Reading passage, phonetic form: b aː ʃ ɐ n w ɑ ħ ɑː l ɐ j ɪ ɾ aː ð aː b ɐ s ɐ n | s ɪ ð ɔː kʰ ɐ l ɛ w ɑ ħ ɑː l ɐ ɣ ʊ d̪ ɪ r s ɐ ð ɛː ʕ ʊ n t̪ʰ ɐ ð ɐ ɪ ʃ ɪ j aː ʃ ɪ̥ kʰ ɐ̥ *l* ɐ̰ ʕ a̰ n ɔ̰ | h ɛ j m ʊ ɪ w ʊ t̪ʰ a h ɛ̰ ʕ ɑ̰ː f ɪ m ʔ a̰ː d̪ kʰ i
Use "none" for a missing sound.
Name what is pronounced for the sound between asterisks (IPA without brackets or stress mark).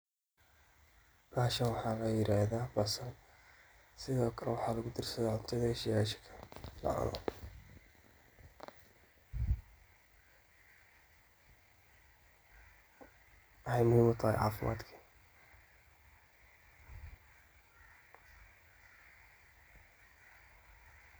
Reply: l